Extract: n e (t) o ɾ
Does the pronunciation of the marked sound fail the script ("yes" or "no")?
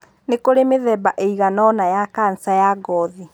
yes